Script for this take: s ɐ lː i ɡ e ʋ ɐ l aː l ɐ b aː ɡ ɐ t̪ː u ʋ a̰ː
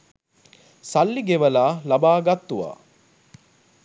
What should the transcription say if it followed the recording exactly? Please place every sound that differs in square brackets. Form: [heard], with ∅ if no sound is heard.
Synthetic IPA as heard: s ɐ lː i ɡ e ʋ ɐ l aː l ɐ b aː ɡ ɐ t̪ː u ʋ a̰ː